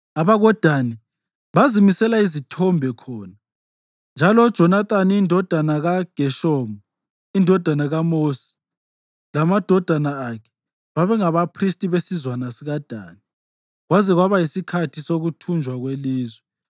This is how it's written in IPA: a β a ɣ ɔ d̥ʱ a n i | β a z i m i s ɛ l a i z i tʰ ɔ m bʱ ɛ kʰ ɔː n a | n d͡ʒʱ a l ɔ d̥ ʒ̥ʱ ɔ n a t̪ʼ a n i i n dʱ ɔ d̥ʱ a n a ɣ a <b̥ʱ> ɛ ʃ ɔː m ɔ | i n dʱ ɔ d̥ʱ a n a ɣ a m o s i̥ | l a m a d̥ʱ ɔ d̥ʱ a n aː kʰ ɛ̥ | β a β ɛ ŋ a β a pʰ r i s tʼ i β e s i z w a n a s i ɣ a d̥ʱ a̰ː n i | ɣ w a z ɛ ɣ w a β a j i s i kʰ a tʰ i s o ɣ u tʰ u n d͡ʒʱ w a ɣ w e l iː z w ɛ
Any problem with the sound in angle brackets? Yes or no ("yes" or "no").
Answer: yes